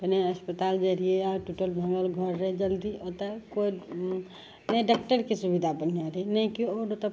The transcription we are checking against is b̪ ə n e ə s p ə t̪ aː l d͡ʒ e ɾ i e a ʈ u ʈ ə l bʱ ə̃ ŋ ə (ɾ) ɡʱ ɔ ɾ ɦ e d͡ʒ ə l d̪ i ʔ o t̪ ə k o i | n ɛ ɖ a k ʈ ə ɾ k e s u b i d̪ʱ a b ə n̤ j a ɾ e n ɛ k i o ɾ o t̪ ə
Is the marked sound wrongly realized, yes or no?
yes